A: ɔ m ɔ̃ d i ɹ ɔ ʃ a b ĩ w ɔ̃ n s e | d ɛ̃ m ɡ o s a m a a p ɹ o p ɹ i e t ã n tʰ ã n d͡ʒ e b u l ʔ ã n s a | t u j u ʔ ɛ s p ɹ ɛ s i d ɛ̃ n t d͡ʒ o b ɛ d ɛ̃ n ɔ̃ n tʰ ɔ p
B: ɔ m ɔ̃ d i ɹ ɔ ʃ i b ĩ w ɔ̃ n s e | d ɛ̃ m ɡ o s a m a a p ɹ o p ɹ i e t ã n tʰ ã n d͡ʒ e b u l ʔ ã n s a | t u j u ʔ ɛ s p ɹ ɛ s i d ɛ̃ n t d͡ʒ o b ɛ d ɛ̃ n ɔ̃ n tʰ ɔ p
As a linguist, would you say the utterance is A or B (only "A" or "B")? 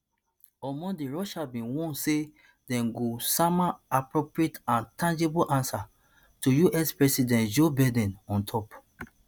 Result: A